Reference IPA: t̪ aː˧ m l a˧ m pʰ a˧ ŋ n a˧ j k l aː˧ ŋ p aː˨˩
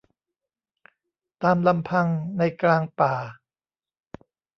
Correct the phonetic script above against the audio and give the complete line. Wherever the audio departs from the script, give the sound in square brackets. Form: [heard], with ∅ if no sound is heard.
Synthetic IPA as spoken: t̪ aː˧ m l a˧ m pʰ a˧ ŋ n a˧ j k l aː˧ ŋ p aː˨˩

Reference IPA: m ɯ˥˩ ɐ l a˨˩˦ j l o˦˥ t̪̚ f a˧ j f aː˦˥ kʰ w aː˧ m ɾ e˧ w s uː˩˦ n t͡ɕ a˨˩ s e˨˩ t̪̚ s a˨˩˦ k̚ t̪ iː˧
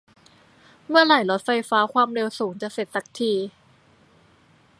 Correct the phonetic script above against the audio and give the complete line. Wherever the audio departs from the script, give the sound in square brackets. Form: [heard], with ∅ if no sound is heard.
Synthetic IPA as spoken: m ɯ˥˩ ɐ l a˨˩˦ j l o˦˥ t̪̚ f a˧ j f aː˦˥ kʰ w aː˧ m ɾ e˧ w s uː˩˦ [ŋ] t͡ɕ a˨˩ s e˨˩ t̪̚ s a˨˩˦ k̚ [t̪ʰ] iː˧

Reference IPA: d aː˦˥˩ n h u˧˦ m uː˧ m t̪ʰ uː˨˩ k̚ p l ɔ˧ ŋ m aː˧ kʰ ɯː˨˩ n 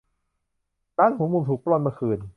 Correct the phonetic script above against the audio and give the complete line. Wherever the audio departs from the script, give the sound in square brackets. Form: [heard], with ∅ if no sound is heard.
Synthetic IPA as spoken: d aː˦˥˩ n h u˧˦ m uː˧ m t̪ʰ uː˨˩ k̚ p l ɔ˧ [n] m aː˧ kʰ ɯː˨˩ n

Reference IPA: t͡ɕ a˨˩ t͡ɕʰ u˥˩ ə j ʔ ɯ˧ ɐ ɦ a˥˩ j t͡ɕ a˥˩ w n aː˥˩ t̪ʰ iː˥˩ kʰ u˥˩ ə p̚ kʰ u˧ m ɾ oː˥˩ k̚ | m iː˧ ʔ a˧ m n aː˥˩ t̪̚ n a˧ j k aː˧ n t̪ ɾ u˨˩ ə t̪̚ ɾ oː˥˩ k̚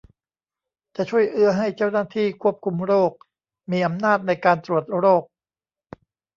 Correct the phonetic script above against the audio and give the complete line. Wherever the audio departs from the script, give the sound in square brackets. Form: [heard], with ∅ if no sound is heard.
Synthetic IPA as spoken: t͡ɕ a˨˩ t͡ɕʰ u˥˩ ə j ʔ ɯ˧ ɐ ɦ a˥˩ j t͡ɕ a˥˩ w n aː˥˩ t̪ʰ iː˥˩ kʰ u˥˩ ə p̚ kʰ u˧ m ɾ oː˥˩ k̚ | m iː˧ ʔ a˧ m n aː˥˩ t̪̚ n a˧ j k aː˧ n t̪ ɾ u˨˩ ə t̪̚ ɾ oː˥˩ k̚

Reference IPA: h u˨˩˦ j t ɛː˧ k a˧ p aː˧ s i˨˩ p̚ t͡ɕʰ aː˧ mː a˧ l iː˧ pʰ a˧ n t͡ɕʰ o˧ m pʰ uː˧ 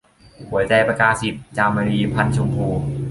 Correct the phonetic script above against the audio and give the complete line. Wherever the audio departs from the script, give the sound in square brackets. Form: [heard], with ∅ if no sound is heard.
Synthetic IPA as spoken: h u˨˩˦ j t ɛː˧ [p] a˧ [k] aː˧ s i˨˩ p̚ [t͡ɕ] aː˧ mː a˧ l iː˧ pʰ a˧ n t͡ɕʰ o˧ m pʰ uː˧

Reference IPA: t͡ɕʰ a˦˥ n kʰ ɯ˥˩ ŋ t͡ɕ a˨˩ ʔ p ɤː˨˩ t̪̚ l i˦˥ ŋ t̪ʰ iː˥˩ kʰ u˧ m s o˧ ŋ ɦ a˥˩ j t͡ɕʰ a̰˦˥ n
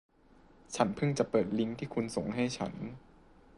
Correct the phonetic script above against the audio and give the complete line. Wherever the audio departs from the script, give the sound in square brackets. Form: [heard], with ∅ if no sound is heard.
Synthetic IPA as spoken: t͡ɕʰ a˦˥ n [pʰ] ɯ˥˩ ŋ t͡ɕ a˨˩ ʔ p ɤː˨˩ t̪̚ l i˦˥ ŋ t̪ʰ iː˥˩ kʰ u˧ [n] s [o˨˩] ŋ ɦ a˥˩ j t͡ɕʰ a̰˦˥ n

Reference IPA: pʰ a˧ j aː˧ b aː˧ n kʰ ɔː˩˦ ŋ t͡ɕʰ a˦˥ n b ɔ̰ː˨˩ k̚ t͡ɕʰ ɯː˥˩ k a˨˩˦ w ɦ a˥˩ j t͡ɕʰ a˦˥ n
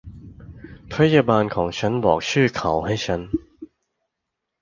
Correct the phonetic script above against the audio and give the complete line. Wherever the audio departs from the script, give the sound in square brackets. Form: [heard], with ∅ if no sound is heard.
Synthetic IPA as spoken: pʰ [a˦˥] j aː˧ b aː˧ n kʰ ɔː˩˦ ŋ t͡ɕʰ a˦˥ n b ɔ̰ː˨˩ k̚ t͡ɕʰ ɯː˥˩ [kʰ] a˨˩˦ w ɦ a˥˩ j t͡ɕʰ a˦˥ n

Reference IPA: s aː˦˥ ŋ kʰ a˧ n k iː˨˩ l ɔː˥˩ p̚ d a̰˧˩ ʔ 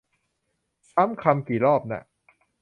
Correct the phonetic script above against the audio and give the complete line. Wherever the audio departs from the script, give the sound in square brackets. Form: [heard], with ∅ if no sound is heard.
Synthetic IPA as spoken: s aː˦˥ [m] kʰ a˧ [m] k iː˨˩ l ɔː˥˩ p̚ [n] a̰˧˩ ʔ

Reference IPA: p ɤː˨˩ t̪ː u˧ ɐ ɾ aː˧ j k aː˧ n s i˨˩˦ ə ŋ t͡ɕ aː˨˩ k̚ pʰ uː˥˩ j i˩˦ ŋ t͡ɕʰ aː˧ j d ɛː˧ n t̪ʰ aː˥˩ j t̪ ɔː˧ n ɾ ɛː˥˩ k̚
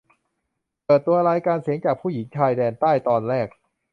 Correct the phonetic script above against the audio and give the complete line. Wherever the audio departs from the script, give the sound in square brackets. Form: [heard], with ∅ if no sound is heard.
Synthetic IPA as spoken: p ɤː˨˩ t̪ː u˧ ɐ ɾ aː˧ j k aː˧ n s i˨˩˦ ə ŋ t͡ɕ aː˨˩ k̚ pʰ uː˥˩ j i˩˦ ŋ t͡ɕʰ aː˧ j d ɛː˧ n [t̪] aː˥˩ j t̪ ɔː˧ n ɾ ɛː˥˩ k̚

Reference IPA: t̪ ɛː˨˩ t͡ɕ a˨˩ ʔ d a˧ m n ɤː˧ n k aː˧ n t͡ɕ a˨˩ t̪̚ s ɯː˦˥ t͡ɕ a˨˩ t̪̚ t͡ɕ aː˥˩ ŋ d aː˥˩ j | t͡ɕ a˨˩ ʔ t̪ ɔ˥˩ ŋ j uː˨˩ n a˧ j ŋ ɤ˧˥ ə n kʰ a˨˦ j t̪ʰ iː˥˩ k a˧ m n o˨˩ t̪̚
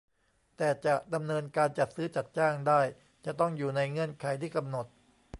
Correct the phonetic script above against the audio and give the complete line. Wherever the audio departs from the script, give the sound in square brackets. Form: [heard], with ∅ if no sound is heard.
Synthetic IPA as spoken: t̪ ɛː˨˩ t͡ɕ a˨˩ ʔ d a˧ m n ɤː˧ n k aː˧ n t͡ɕ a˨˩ t̪̚ s ɯː˦˥ t͡ɕ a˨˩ t̪̚ t͡ɕ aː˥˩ ŋ d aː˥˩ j | t͡ɕ a˨˩ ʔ t̪ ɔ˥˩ ŋ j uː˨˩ n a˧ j ŋ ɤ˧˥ ə n kʰ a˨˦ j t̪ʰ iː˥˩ k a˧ m n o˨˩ t̪̚

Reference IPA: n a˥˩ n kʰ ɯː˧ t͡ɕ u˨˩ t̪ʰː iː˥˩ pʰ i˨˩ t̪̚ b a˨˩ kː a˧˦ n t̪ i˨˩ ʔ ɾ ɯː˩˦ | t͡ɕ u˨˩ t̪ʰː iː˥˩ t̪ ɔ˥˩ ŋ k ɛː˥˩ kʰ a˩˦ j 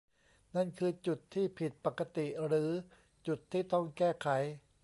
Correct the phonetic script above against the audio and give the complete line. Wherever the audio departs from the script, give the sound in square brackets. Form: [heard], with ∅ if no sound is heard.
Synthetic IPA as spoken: n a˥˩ n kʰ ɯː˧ t͡ɕ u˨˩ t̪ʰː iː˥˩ pʰ i˨˩ t̪̚ [p] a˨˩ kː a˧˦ [∅] t̪ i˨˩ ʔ ɾ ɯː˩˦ | t͡ɕ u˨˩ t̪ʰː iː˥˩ t̪ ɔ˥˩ ŋ k ɛː˥˩ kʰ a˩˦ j

